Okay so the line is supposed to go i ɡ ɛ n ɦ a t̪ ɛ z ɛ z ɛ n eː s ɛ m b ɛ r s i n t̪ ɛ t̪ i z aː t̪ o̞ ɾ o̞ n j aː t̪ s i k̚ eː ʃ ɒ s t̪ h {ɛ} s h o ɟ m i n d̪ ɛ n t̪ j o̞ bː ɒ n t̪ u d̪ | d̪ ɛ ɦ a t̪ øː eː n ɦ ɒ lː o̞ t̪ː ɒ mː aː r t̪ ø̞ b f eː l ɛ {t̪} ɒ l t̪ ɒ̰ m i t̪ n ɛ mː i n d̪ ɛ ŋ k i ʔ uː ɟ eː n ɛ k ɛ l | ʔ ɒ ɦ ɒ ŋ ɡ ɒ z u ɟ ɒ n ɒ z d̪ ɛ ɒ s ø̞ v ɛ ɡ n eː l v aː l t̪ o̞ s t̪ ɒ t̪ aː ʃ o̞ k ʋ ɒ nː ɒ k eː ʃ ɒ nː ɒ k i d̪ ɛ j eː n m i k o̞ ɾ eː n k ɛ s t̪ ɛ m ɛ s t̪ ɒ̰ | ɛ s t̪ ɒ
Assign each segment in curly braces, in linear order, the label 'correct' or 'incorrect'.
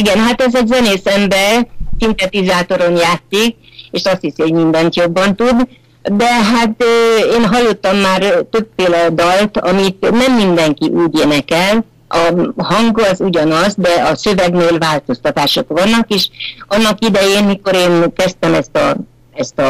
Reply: incorrect: i, incorrect: d̪

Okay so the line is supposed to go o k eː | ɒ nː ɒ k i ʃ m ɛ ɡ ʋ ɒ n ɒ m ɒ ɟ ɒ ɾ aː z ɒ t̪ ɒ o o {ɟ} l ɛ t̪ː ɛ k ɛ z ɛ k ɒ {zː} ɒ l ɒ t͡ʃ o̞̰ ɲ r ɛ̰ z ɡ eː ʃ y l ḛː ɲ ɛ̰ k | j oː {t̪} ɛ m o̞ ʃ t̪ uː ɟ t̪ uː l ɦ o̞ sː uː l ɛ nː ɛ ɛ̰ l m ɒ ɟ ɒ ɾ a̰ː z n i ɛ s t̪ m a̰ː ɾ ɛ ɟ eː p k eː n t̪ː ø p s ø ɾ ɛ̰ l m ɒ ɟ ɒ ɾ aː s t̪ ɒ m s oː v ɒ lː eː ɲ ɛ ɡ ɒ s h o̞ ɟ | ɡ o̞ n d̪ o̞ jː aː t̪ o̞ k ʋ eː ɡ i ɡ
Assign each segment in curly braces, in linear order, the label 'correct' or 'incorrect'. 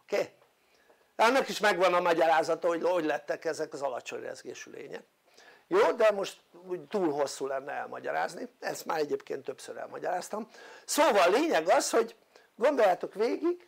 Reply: correct, incorrect: z, incorrect: d̪

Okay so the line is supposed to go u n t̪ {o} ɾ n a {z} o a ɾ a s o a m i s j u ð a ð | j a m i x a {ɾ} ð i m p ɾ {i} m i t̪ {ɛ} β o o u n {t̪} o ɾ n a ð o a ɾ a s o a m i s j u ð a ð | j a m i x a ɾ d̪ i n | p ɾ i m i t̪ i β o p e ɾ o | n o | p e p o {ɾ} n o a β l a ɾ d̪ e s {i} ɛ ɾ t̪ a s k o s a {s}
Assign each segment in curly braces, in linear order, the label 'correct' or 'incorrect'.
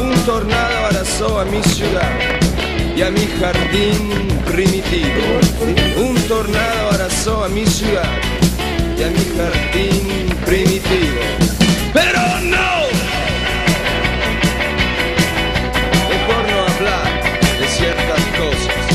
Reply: correct, incorrect: ð, correct, correct, incorrect: i, correct, correct, incorrect: j, correct

